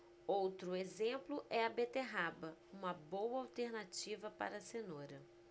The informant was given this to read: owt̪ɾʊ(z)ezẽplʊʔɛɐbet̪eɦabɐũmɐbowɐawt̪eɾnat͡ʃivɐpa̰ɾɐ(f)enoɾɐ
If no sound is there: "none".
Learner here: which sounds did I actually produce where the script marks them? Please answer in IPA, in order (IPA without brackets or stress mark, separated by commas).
none, s